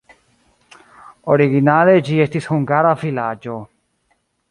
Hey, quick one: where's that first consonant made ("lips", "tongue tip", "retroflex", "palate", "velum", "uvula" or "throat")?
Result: tongue tip